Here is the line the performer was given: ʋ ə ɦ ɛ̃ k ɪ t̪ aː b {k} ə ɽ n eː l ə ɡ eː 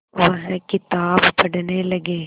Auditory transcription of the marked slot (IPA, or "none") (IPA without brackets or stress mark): p